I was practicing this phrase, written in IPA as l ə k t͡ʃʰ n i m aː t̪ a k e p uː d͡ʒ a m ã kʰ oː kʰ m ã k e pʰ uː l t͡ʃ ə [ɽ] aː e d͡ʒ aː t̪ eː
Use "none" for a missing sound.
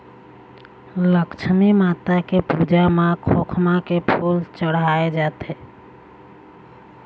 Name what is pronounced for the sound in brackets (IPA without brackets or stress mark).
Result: ɽ